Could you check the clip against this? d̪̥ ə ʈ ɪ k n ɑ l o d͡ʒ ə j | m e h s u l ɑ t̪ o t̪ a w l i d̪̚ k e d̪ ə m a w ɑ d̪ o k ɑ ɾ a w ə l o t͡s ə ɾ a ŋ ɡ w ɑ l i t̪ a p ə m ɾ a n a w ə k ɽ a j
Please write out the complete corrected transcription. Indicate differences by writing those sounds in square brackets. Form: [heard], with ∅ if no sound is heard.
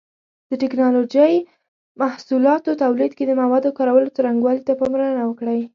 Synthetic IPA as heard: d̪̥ ə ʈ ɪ k n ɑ l o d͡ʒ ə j | m [a] h s u l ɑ t̪ o t̪ a w l i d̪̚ k e d̪ ə m a w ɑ d̪ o k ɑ ɾ a w ə l o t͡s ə ɾ a ŋ ɡ w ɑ l i t̪ a p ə m ɾ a n a w ə k ɽ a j